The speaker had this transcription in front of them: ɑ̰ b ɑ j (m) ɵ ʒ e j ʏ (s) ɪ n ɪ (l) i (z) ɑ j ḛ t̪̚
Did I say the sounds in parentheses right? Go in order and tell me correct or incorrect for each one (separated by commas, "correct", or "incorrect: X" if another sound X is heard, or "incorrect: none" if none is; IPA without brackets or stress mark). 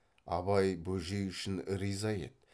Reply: incorrect: b, incorrect: ʃ, incorrect: ɾ, correct